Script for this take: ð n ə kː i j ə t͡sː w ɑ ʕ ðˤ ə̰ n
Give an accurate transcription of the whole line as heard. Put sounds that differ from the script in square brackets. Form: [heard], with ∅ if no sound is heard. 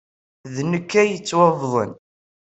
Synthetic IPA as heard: ð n ə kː [æ] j ə t͡sː w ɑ [v] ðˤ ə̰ n